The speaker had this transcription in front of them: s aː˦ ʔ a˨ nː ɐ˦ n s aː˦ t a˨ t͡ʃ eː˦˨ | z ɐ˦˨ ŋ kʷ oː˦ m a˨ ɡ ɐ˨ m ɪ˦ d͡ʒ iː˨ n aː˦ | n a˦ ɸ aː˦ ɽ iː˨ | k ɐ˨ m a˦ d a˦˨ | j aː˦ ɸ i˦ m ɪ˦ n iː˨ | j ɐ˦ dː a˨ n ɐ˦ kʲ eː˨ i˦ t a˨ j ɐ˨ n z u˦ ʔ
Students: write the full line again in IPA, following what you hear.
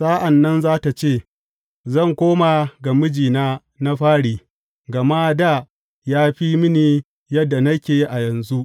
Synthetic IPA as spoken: s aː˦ ʔ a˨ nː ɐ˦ n z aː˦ t a˨ t͡ʃ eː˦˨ | z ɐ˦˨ ŋ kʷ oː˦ m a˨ ɡ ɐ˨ m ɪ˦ d͡ʒ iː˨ n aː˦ | n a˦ ɸ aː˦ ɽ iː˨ | ɡ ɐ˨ m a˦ d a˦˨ | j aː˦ ɸ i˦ m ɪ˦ n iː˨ | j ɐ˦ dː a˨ n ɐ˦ kʲ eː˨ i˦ ʔ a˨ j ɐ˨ n z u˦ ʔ